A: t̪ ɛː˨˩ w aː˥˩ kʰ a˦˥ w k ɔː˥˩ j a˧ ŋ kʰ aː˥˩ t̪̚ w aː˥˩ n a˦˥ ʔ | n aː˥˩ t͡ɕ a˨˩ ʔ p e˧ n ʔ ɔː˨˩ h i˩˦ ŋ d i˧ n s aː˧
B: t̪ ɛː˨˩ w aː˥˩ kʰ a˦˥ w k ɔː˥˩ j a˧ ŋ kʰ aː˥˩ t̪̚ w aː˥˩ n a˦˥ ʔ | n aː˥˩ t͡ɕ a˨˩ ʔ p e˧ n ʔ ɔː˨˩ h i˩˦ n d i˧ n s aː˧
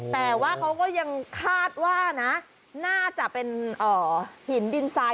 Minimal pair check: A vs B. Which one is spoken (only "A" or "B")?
B